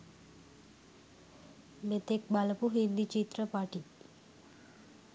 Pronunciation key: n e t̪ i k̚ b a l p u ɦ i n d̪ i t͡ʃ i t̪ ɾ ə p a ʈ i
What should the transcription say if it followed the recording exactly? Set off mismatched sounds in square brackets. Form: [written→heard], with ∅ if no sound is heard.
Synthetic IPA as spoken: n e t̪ [i→e] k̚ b a l p u ɦ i n d̪ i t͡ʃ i t̪ ɾ ə p a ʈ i